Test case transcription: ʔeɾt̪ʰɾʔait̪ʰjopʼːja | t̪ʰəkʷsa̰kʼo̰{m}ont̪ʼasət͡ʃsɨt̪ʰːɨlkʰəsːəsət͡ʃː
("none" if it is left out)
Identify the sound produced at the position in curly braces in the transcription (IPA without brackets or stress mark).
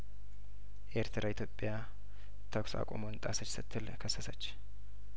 m